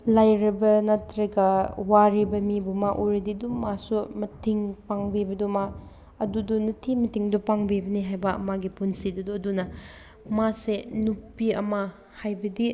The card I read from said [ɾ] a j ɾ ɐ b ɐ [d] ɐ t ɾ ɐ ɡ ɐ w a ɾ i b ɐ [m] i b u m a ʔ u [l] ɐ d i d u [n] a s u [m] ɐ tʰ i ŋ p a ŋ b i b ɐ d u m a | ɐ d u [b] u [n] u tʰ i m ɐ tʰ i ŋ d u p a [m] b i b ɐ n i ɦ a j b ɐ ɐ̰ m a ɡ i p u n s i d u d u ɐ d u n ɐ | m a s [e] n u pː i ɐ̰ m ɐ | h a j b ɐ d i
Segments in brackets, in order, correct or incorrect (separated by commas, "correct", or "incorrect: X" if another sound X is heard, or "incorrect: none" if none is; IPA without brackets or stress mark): incorrect: l, incorrect: n, correct, incorrect: ɾ, incorrect: m, correct, incorrect: d, correct, incorrect: ŋ, correct